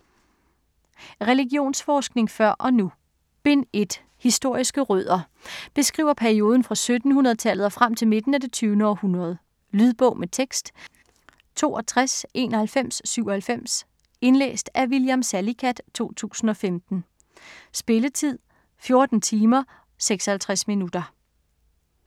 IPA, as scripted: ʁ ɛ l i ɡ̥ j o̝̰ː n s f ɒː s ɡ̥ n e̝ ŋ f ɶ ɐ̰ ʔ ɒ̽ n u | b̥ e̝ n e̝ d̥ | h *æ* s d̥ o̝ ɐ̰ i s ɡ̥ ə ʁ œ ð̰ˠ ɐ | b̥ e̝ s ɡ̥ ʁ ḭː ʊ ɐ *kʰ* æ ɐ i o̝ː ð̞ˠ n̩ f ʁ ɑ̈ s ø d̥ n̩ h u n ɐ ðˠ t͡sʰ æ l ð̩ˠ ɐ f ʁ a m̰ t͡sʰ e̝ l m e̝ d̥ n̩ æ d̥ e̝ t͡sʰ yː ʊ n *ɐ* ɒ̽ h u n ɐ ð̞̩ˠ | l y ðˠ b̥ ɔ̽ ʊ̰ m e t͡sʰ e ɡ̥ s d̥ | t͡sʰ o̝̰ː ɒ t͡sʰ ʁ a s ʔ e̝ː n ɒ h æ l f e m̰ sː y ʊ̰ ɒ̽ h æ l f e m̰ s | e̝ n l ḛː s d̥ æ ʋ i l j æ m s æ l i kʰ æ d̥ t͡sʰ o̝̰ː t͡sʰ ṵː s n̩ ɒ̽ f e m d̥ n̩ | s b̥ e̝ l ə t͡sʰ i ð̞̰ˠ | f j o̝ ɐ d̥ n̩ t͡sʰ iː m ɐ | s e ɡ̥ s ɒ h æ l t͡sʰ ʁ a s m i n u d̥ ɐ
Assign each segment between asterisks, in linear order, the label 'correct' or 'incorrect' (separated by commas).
incorrect, incorrect, incorrect